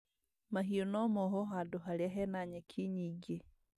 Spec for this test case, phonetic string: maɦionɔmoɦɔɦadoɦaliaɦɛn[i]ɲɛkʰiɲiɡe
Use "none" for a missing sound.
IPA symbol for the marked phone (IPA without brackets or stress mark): a